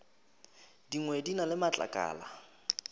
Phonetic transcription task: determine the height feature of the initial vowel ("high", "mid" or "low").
high